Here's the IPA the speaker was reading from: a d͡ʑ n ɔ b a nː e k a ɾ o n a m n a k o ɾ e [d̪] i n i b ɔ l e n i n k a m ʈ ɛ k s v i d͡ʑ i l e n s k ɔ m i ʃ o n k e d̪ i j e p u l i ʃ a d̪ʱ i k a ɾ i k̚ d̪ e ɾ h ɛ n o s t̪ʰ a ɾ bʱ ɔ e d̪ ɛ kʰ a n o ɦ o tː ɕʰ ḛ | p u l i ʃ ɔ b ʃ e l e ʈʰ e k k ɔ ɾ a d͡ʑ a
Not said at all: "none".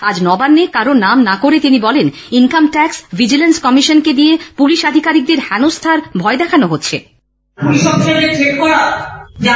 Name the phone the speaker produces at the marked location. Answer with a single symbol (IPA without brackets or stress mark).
t̪